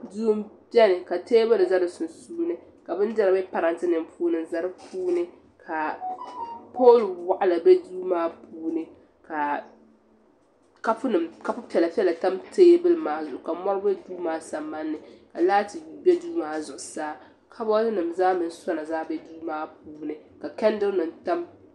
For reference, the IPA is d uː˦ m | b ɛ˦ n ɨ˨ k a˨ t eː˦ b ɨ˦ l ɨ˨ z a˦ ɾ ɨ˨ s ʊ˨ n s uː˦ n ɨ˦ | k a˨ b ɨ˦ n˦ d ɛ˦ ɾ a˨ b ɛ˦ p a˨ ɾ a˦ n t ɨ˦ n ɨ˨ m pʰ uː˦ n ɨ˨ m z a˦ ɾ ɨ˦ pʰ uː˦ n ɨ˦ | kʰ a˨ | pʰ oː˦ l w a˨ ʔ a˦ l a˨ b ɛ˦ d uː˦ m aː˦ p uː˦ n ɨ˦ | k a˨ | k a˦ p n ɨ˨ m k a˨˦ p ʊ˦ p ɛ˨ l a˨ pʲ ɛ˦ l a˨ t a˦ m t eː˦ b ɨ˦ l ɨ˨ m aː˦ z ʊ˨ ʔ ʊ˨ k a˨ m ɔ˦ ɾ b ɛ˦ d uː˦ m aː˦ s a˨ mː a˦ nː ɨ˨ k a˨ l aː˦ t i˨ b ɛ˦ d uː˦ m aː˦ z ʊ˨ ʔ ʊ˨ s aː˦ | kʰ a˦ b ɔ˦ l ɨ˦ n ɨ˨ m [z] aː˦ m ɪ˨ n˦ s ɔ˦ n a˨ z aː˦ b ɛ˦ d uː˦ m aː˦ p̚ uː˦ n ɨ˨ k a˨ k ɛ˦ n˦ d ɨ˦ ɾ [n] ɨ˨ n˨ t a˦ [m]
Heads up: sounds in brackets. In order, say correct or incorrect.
correct, correct, correct

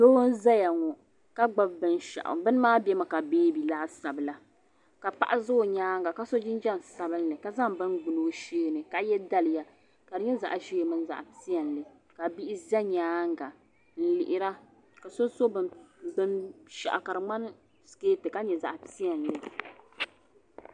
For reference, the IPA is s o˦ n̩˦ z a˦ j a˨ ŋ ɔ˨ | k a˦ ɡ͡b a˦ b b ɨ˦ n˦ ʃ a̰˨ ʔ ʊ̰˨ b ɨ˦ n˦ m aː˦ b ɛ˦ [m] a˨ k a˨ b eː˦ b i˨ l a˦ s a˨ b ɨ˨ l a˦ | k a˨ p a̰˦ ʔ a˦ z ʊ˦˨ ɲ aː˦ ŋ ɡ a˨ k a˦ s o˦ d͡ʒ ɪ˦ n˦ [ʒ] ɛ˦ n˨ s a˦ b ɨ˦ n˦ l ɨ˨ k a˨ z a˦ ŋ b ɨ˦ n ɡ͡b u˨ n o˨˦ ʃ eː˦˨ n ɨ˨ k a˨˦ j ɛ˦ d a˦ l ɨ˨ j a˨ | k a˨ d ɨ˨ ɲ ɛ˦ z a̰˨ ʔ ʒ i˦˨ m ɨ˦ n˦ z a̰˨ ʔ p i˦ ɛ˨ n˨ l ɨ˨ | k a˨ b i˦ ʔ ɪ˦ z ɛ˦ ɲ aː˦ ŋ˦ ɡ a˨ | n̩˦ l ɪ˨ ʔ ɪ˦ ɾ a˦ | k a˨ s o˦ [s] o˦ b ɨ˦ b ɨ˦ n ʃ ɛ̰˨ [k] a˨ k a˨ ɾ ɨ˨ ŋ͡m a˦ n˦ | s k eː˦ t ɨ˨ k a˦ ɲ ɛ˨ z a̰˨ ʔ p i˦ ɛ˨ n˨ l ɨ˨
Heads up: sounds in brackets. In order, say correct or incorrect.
correct, incorrect: d͡ʒ, correct, incorrect: ʔ

